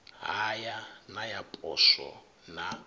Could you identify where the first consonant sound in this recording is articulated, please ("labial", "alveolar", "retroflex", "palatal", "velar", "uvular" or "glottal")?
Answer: glottal